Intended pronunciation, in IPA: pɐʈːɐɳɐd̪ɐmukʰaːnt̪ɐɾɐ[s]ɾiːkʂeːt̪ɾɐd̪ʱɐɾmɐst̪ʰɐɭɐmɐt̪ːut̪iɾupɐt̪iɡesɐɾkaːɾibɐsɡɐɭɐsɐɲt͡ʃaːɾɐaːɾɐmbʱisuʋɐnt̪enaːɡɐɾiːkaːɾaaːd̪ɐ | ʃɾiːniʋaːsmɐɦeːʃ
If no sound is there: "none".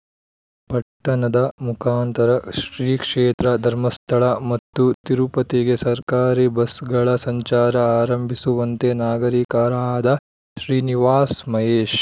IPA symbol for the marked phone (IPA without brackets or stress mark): ʃ